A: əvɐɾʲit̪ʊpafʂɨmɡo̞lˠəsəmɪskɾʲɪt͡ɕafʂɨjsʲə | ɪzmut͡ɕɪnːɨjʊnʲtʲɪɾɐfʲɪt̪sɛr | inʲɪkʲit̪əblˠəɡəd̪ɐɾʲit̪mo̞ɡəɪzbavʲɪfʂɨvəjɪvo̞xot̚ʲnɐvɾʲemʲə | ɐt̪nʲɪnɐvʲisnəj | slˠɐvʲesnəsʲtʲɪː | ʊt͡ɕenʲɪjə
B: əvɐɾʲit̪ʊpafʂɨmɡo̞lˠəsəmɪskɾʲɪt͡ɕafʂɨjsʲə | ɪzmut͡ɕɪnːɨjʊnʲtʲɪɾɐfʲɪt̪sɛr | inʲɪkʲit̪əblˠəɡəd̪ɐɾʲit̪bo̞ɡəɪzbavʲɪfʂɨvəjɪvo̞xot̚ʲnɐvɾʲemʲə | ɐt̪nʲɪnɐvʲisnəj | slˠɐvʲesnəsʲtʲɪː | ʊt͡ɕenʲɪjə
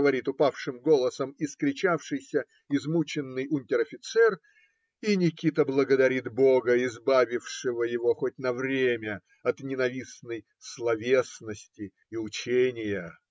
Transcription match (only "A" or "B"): B